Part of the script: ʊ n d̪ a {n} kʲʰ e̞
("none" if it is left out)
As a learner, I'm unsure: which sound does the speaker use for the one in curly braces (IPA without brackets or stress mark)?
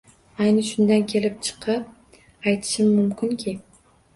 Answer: n